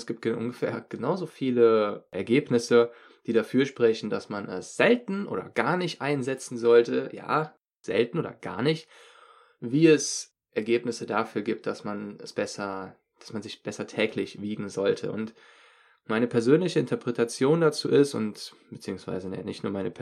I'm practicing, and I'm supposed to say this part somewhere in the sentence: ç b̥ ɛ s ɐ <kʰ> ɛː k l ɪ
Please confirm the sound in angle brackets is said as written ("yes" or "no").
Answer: no